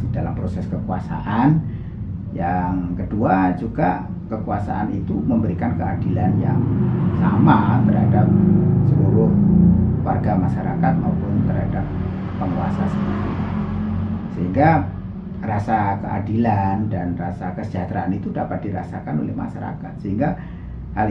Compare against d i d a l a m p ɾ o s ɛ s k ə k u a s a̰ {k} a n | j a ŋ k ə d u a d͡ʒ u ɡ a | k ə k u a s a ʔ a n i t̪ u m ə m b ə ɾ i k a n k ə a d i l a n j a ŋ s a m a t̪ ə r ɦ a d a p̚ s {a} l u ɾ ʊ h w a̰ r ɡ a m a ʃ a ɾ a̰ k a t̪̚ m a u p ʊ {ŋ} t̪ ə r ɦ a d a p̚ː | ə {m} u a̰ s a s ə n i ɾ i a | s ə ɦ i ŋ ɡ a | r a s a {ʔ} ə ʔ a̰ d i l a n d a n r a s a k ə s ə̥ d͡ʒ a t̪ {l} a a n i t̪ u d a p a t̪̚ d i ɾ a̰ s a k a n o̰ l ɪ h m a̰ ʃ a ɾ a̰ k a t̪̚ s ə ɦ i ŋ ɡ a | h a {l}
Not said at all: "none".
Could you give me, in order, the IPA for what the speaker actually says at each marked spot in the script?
ʔ, ə, n, ŋ, k, ɾ, l

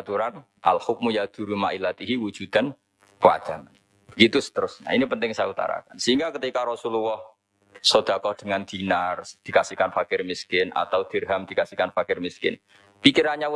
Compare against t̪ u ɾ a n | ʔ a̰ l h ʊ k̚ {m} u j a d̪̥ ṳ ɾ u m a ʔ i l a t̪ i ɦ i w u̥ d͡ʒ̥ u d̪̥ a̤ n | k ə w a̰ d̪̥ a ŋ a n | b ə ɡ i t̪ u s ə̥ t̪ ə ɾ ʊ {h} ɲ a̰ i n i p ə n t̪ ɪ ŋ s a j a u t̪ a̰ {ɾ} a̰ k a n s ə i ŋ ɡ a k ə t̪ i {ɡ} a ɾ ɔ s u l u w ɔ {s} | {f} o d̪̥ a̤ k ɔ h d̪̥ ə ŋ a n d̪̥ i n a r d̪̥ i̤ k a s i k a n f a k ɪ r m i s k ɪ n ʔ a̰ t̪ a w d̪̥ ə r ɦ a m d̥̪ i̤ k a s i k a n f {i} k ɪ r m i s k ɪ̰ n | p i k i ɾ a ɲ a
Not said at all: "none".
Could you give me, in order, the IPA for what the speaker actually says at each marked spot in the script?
m, s, ɾ, k, h, s, a

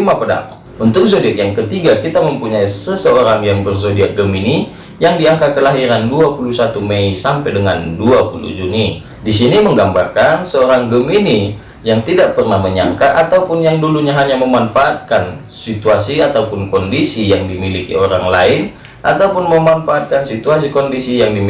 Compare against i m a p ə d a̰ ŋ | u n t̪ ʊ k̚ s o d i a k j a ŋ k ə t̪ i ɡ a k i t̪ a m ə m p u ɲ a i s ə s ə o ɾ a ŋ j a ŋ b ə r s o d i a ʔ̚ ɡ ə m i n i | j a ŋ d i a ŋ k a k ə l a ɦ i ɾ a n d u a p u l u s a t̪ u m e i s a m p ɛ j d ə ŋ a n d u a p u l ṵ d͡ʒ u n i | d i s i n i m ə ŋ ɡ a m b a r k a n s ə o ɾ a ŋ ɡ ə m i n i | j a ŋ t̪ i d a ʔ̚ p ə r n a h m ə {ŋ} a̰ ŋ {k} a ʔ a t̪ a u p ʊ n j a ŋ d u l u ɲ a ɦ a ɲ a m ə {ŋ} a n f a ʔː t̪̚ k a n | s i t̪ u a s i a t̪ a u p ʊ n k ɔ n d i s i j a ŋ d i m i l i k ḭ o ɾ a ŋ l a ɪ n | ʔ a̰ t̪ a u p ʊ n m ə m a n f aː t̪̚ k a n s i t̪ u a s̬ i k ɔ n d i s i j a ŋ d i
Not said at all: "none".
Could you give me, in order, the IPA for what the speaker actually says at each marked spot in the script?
ɲ, k, m

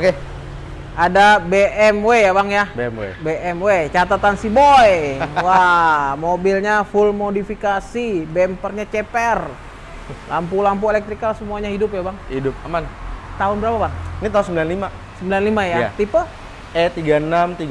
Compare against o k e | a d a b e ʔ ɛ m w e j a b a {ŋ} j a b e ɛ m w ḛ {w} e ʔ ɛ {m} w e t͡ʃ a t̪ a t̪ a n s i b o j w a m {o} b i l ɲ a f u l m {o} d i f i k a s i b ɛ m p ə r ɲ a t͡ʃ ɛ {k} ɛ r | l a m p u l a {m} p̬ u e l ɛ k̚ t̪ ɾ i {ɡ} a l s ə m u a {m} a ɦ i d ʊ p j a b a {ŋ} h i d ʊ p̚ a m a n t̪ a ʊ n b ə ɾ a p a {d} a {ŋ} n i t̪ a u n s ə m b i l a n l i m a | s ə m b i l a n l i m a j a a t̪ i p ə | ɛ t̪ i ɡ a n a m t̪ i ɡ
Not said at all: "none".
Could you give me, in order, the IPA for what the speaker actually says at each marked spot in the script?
ŋ, b, m, o, o, p, m, k, ɲ, ŋ, b, ŋ

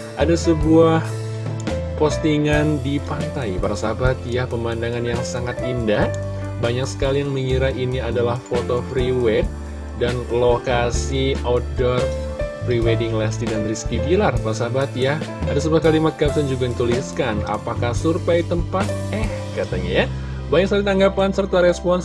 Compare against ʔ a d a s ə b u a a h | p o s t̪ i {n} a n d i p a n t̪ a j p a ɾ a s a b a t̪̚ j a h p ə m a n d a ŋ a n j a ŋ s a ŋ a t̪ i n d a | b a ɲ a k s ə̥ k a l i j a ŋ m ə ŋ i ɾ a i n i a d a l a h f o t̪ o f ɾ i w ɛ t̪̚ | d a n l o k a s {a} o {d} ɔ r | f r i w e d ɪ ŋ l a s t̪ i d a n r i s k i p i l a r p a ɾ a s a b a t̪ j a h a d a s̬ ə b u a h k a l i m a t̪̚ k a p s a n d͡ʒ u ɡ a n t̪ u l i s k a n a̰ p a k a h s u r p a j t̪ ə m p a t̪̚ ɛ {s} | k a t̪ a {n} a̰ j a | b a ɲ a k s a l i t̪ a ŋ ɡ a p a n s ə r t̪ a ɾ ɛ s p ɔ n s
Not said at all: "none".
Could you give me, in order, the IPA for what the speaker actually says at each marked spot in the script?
ŋ, i, d, h, ɲ

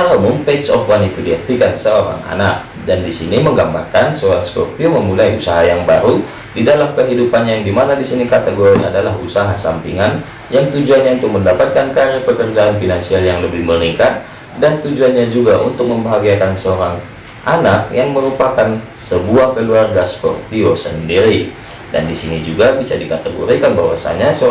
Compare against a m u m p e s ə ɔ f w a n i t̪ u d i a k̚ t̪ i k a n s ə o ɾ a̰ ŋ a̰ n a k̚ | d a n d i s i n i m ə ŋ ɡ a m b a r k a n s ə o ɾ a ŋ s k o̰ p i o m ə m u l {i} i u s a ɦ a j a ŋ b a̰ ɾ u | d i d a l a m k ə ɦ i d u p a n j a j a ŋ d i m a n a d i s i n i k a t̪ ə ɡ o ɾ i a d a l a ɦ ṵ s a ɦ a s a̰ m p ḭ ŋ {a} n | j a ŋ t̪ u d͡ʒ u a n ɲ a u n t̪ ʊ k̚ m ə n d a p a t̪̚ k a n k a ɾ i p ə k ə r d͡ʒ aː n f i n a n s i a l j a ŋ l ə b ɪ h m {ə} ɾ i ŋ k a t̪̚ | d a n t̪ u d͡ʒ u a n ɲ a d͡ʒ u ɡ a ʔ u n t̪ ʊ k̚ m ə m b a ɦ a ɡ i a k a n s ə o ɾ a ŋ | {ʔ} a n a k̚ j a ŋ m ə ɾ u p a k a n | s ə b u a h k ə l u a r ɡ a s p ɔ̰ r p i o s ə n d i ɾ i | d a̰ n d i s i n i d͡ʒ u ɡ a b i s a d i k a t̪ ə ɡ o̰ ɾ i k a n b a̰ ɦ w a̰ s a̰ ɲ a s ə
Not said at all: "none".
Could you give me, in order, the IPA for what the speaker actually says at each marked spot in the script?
a, a, ə, ʔ

